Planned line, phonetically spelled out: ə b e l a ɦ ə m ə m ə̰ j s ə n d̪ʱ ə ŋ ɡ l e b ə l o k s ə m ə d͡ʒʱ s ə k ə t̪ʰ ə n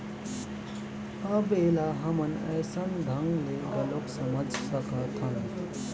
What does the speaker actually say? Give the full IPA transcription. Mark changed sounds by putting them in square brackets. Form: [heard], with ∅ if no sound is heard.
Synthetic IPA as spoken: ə b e l a ɦ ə m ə [n] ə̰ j s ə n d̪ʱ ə ŋ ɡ l e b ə l o k s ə m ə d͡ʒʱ s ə k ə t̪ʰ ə n